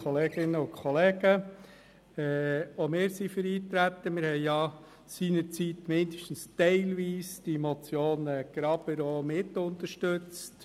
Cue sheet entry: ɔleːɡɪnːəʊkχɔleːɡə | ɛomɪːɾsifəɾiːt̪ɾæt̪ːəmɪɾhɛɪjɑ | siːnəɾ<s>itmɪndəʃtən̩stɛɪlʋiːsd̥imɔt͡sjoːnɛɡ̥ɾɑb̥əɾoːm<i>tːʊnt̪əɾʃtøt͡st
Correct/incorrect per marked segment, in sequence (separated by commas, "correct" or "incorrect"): incorrect, incorrect